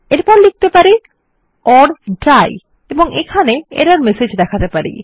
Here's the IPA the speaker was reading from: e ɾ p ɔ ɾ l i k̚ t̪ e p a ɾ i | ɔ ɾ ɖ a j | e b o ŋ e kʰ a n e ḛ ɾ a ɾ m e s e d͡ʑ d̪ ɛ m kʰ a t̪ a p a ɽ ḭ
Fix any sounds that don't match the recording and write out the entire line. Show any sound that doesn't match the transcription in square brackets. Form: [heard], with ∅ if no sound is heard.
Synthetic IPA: e ɾ p ɔ ɾ l i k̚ t̪ e p a ɾ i | ɔ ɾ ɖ a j | e b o ŋ e kʰ a n e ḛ ɾ a ɾ m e s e d͡ʑ d̪ ɛ [∅] kʰ a t̪ [e] p a [ɾ] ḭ